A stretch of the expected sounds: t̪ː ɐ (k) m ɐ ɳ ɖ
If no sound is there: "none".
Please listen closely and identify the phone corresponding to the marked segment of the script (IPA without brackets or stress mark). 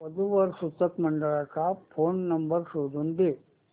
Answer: k